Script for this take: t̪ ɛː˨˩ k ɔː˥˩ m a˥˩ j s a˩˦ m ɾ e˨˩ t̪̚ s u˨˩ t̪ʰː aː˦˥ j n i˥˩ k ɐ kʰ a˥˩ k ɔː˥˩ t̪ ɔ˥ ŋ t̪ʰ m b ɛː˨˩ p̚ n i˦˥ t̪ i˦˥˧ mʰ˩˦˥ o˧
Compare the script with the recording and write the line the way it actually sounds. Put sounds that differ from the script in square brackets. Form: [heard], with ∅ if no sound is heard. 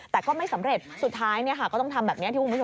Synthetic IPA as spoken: t̪ ɛː˨˩ k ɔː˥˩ m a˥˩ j s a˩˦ m ɾ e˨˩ t̪̚ s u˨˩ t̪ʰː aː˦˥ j n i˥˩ [∅] ɐ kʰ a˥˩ k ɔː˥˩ t̪ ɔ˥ ŋ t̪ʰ m b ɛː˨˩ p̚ n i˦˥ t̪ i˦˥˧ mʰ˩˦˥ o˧